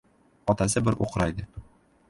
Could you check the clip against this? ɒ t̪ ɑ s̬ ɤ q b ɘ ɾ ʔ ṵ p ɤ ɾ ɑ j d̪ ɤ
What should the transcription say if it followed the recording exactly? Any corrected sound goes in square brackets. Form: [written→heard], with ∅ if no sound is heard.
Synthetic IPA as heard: ɒ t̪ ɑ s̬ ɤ [q→∅] b ɘ ɾ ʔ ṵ [p→q] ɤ ɾ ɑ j d̪ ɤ